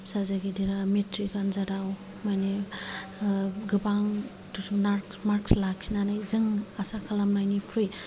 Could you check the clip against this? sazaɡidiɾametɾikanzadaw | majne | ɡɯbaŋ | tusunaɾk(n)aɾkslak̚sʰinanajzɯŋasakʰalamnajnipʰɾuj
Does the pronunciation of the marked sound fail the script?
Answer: yes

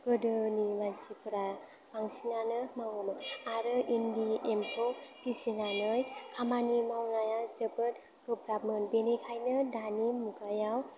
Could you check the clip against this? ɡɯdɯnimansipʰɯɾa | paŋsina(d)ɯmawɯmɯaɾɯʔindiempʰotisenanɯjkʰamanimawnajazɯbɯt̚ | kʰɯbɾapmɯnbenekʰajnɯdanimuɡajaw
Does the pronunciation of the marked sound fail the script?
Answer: yes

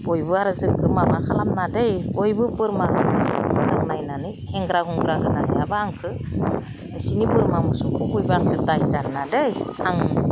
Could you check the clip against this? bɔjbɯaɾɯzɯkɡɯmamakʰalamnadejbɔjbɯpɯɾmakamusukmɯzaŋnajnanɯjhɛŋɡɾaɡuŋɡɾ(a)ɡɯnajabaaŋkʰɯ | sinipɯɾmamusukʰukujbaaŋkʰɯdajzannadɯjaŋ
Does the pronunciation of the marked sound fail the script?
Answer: no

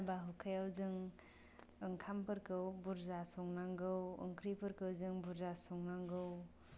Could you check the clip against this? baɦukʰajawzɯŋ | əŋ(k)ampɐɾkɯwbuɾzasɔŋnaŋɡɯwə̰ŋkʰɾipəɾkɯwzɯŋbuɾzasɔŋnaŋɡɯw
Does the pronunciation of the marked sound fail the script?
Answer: yes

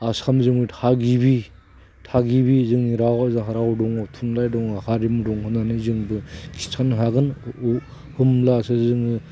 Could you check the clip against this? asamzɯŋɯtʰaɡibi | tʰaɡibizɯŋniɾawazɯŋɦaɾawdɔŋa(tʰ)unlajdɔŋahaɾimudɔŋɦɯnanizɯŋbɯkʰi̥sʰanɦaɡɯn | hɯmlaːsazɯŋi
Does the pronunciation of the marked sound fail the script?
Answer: no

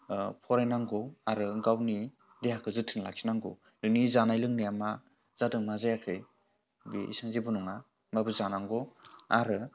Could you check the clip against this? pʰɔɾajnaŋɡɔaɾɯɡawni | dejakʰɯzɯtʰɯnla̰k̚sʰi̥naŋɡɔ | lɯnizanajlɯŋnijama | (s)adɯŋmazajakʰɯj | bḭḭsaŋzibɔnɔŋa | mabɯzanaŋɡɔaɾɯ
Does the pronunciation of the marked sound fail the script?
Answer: yes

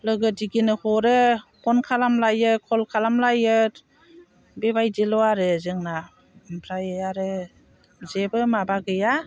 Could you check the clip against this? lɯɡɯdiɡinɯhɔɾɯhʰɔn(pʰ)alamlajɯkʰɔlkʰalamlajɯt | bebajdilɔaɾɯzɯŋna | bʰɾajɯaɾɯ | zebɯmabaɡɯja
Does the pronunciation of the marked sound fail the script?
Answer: yes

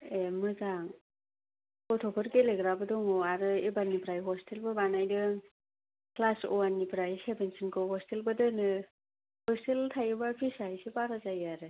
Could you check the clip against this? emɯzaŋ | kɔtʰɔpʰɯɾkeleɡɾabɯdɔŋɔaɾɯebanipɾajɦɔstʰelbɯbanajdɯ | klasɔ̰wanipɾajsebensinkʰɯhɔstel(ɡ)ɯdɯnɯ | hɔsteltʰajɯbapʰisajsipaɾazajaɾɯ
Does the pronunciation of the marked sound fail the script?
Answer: yes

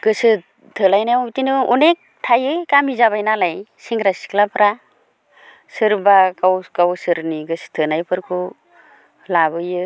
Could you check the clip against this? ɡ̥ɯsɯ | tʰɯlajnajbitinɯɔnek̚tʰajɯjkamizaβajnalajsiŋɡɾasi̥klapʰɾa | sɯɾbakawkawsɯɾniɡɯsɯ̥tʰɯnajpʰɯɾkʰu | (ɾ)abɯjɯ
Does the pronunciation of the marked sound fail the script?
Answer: yes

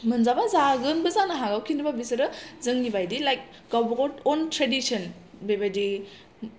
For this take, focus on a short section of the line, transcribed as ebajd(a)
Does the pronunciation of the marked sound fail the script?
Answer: yes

